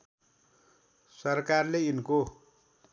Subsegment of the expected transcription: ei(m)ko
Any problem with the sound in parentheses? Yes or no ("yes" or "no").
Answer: yes